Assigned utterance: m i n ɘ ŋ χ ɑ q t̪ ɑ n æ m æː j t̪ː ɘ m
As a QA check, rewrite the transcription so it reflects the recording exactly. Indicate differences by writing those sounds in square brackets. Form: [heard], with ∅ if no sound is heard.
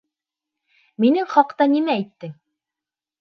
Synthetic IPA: m i n ɘ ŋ χ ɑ q t̪ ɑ n [i] m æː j t̪ː ɘ [ŋ]